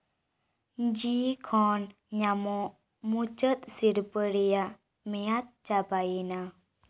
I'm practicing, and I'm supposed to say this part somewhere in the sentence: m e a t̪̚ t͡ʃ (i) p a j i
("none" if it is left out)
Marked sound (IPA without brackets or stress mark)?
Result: a